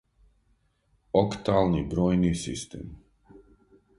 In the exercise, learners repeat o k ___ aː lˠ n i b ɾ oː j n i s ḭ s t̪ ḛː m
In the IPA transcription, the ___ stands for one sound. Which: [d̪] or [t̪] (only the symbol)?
t̪